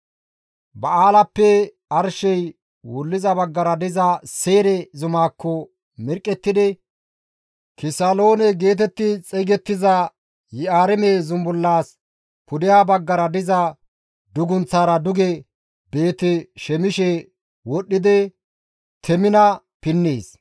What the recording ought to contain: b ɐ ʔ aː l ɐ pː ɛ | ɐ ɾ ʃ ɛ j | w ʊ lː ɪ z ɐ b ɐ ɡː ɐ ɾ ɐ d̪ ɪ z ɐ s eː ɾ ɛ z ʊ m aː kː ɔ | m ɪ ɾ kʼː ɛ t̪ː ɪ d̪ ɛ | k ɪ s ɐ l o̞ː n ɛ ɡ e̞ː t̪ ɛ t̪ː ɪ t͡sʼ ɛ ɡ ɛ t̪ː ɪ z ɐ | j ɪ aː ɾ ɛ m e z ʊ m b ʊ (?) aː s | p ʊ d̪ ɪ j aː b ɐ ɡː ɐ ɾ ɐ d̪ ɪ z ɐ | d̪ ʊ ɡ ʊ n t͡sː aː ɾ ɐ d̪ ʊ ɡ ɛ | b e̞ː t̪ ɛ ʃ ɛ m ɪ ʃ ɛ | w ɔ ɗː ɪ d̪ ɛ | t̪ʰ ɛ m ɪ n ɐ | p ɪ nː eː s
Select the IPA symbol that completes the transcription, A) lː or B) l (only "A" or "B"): A